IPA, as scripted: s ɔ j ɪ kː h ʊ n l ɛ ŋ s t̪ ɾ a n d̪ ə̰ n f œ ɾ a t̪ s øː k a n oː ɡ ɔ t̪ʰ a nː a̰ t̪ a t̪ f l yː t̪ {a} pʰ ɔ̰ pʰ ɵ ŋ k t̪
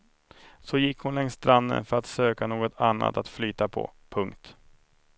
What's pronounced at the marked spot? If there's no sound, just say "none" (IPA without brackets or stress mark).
a